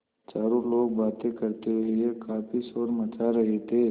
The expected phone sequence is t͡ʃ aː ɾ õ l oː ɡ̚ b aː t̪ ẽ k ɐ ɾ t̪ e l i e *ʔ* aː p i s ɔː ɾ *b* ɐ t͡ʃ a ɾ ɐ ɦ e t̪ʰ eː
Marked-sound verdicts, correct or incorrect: incorrect, incorrect

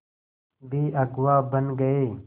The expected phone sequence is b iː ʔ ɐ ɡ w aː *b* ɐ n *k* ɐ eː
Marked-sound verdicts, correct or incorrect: correct, incorrect

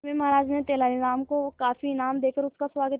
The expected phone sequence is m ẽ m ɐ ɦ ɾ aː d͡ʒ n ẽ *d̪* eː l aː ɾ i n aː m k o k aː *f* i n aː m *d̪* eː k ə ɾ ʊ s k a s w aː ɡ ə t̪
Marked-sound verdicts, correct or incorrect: incorrect, correct, correct

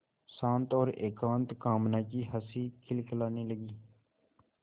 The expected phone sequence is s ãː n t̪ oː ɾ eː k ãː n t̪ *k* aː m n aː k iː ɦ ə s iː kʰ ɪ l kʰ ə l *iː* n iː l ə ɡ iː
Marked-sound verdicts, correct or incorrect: correct, incorrect

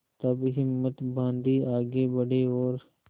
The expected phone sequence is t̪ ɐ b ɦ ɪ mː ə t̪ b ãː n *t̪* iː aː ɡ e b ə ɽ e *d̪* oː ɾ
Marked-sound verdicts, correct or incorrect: incorrect, incorrect

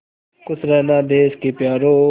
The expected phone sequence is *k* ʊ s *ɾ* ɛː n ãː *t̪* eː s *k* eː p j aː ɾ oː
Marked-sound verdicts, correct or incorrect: correct, correct, incorrect, correct

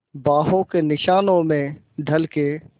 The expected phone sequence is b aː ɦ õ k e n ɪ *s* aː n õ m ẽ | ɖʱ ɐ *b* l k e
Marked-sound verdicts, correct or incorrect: incorrect, incorrect

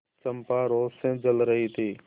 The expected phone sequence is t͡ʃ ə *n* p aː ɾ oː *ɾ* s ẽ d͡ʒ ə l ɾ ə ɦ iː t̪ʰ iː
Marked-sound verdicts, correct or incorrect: incorrect, incorrect

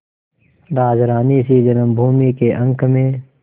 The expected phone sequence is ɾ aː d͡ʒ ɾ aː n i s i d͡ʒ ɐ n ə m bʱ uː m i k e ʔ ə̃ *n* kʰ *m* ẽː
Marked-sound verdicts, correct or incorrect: incorrect, correct

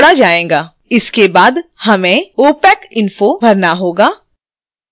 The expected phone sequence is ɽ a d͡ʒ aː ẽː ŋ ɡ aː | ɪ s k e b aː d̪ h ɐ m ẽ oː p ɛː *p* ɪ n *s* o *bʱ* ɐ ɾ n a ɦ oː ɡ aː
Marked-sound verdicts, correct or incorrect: incorrect, incorrect, correct

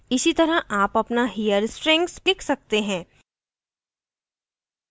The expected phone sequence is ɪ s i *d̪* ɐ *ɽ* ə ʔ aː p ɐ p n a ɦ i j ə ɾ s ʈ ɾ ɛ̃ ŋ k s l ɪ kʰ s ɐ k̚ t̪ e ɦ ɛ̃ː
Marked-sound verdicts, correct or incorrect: incorrect, incorrect

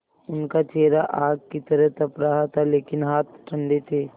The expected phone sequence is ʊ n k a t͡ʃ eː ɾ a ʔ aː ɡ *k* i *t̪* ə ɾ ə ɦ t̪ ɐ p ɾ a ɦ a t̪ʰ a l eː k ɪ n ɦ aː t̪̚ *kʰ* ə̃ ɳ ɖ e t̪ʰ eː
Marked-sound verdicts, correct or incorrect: correct, correct, incorrect

